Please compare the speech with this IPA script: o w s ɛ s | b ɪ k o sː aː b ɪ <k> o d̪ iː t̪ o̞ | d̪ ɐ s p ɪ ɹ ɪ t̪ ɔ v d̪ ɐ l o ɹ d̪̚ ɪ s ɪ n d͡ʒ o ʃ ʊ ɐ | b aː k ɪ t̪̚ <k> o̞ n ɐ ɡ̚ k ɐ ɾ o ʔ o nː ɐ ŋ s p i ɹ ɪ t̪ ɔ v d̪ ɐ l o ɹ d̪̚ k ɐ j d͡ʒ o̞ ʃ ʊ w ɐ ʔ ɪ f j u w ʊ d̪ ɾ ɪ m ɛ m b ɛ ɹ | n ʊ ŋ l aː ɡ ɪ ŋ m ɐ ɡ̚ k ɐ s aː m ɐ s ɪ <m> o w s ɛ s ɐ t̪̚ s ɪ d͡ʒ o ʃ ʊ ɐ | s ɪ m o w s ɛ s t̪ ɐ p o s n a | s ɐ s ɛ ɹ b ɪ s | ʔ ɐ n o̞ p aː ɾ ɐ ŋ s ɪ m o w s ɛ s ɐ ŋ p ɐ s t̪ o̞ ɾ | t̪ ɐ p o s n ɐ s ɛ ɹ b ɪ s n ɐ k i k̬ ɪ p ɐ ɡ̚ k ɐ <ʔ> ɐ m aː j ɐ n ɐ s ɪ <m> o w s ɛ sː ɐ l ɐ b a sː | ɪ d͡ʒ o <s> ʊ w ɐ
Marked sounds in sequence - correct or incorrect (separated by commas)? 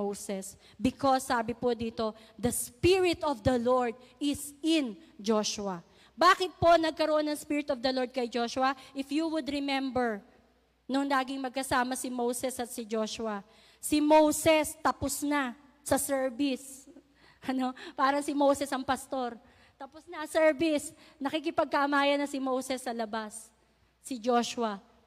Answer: incorrect, incorrect, correct, correct, correct, incorrect